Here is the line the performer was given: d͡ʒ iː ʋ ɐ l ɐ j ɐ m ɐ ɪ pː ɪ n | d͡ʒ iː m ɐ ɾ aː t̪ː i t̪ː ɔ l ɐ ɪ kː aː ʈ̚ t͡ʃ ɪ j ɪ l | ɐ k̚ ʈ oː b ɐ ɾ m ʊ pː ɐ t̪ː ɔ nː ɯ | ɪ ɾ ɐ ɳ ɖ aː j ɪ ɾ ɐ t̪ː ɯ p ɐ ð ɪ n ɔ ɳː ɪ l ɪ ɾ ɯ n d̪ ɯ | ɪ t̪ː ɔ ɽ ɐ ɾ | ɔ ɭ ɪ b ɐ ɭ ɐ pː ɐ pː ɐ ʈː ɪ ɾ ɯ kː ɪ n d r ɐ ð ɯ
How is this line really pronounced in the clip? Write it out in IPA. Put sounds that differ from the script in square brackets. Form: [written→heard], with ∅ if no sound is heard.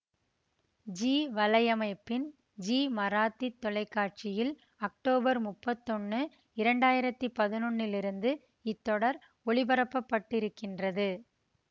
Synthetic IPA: d͡ʒ iː ʋ ɐ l ɐ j ɐ m ɐ ɪ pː ɪ n | d͡ʒ iː m ɐ ɾ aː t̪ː i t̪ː ɔ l ɐ ɪ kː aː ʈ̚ t͡ʃ ɪ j ɪ l | ɐ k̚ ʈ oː b ɐ ɾ m ʊ pː ɐ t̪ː ɔ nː ɯ | ɪ ɾ ɐ ɳ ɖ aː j ɪ ɾ ɐ t̪ː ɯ p ɐ ð ɪ n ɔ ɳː ɪ l ɪ ɾ ɯ n d̪ ɯ | ɪ t̪ː ɔ ɽ ɐ ɾ | ɔ ɭ ɪ b ɐ [ɭ→ɾ] ɐ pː ɐ pː ɐ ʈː ɪ ɾ ɯ kː ɪ n d r ɐ ð ɯ